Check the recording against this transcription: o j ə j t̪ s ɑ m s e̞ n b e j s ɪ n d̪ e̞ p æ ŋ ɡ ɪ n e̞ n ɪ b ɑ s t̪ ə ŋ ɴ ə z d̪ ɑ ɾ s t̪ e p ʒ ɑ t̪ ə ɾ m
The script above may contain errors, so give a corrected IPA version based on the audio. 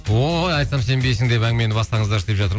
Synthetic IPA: o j ɑ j t̪ s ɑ m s e̞ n b e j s ɪ ŋ d̪ e̞ p æ ŋ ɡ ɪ m e̞ n ɪ b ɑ s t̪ ɑ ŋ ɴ ə z d̪ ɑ ɾ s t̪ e p ʒ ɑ t̪ ə ɾ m